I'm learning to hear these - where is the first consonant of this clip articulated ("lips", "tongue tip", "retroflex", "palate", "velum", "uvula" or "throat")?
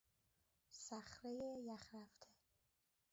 tongue tip